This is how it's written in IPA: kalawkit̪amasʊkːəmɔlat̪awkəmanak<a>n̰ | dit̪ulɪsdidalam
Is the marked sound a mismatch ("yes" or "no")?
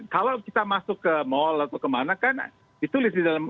no